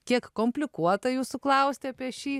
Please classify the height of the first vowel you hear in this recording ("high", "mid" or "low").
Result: high